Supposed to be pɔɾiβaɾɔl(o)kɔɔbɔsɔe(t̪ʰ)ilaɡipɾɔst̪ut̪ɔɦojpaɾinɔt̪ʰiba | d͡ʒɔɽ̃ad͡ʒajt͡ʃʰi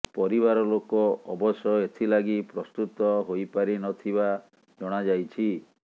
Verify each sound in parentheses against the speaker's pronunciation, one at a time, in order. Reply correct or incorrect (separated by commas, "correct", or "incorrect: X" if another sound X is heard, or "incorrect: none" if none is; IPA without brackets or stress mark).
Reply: correct, correct